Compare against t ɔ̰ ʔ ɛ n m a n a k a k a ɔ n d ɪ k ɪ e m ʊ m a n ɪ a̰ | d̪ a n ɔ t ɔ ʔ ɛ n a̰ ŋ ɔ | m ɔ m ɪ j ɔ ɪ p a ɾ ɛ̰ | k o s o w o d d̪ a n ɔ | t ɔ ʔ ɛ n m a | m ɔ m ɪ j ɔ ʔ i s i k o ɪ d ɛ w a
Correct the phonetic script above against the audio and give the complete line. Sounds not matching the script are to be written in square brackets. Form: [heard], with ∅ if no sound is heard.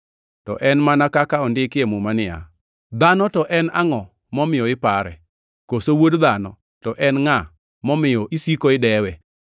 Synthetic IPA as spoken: t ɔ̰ ʔ ɛ n m a n a k a k a ɔ n d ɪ k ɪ e m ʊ m a n ɪ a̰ | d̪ a n ɔ t ɔ ʔ ɛ n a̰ ŋ ɔ | m ɔ m ɪ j ɔ ɪ p a ɾ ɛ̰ | k o s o w o d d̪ a n ɔ | t ɔ ʔ ɛ n [ŋ] a | m ɔ m ɪ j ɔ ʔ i s i k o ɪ d ɛ w [ɛ]